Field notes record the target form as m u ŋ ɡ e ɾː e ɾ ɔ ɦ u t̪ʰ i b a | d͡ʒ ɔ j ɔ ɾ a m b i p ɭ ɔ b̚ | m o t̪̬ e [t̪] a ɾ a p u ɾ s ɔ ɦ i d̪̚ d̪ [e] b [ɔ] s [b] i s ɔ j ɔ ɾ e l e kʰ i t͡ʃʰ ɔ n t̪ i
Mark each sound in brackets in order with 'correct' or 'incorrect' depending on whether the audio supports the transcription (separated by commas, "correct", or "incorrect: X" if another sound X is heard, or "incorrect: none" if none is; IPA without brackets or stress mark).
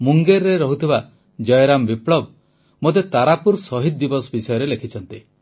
correct, incorrect: i, correct, correct